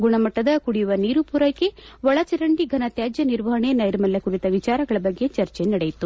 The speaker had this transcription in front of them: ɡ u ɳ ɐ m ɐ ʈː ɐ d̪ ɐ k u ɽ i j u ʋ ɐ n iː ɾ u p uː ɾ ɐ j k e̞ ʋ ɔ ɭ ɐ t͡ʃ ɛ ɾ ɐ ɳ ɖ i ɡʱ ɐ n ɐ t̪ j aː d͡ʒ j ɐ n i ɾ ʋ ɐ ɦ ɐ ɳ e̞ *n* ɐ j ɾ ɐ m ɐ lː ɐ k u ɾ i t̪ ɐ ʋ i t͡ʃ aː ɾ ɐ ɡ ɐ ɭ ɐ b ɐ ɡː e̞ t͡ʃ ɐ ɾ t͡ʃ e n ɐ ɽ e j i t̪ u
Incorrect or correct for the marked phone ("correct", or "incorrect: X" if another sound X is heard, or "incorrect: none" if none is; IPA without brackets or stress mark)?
correct